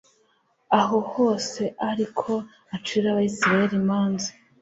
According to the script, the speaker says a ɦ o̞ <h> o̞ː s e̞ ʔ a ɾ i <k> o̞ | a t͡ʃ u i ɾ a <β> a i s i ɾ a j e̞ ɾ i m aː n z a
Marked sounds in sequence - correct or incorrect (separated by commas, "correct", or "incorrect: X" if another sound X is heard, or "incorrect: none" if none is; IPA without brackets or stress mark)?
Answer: correct, incorrect: kʰ, correct